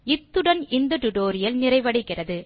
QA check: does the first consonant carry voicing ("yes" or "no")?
no